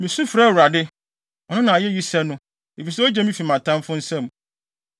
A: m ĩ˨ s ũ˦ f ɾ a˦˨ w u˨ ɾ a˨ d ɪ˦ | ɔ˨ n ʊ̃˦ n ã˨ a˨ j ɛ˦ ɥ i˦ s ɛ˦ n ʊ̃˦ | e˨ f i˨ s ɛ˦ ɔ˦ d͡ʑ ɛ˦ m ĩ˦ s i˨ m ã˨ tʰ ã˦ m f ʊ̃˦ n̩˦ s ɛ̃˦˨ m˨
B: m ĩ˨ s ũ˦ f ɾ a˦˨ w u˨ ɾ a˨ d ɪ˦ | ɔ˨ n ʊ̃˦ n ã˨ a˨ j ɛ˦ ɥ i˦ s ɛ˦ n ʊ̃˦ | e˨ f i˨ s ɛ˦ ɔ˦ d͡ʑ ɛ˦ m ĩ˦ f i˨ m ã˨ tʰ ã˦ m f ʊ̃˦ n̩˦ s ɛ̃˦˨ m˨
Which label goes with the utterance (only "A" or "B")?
B